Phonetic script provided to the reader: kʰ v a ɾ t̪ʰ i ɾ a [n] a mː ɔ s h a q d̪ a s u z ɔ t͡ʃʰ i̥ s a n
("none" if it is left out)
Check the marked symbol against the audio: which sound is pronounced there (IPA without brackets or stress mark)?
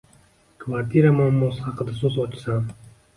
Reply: m